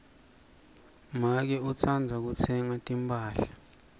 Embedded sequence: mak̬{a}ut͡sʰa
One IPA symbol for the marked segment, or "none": ɛ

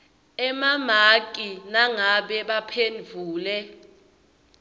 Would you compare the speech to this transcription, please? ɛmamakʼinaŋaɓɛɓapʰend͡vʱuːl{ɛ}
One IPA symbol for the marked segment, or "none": ɛ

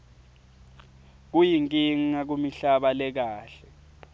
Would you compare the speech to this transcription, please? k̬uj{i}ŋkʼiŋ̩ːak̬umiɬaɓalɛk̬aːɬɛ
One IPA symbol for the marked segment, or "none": i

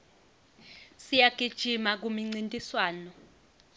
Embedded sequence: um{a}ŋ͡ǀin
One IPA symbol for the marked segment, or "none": i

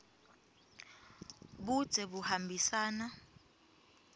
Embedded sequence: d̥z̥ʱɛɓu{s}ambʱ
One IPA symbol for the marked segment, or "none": h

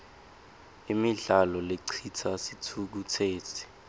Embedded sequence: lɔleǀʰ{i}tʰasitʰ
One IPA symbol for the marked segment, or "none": i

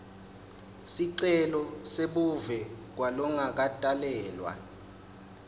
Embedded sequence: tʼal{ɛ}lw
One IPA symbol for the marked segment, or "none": ɛː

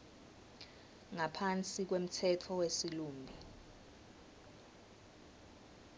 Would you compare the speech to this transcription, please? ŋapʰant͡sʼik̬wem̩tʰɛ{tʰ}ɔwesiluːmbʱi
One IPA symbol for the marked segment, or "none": tʰ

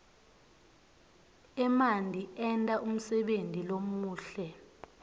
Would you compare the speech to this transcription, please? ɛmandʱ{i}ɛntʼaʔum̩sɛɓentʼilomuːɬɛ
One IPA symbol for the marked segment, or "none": i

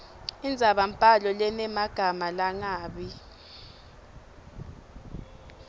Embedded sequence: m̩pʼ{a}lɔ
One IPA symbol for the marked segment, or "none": a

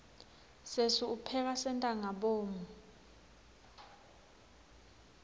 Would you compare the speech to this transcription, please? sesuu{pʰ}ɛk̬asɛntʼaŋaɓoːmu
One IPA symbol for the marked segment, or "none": pʰ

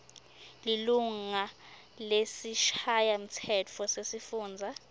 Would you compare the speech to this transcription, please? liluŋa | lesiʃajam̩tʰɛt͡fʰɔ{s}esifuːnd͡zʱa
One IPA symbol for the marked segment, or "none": s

